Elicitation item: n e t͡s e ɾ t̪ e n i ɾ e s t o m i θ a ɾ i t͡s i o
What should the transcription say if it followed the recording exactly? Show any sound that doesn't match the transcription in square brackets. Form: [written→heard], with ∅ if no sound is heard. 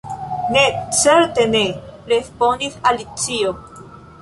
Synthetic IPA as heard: n e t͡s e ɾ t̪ e n [i→e] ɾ e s [t→p] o [m→n] i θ a [ɾ→l] i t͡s i o